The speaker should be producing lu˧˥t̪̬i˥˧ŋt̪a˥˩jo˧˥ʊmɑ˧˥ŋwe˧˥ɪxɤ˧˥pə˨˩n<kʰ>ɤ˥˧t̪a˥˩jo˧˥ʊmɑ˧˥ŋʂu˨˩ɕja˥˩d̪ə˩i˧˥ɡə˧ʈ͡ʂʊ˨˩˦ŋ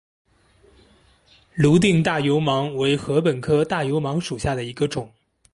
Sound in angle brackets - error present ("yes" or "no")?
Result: no